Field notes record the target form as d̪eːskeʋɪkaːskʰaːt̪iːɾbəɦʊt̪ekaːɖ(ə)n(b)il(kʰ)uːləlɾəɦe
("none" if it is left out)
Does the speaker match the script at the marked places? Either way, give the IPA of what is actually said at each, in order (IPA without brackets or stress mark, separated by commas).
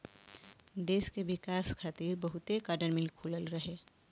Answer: ə, m, kʰ